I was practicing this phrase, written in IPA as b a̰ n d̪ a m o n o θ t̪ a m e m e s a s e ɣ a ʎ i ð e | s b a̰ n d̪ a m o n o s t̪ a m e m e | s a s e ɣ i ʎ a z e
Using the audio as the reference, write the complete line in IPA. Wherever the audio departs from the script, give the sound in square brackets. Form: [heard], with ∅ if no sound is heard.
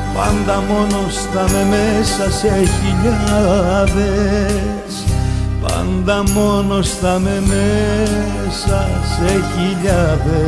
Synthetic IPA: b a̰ n d̪ a m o n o [s] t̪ a m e m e s a s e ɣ [i] ʎ [a] ð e | s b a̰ n d̪ a m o n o s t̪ a m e m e | s a s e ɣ i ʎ a [ð] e